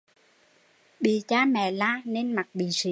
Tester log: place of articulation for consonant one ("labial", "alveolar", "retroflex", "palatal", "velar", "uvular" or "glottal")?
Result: labial